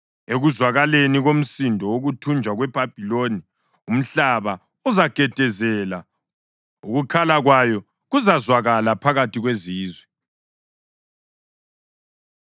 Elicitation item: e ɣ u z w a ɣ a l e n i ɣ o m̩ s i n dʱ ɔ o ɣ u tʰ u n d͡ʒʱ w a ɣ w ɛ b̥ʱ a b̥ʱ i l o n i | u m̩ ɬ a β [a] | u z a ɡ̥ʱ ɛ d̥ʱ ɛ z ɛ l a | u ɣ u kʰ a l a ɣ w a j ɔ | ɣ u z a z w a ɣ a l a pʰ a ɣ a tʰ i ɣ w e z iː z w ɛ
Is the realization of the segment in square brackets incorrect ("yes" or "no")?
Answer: no